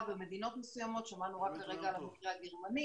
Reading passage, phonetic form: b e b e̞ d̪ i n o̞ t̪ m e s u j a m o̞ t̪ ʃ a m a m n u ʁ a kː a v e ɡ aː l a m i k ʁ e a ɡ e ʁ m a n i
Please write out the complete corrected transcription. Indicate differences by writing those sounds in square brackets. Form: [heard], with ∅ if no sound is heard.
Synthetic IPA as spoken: b e [m] e̞ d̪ i n o̞ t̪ m e s u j a m o̞ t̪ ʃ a m a [∅] n u ʁ a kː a [ʁ] e ɡ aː l a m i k ʁ e a ɡ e ʁ m a n i